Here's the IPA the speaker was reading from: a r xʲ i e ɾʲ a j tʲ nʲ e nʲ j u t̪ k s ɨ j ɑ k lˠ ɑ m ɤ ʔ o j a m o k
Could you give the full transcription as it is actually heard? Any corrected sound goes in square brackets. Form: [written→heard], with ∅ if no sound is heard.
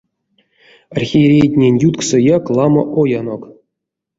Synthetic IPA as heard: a r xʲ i e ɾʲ [a→e] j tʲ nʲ e nʲ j u t̪ k s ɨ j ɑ k lˠ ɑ m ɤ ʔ o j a [m→n] o k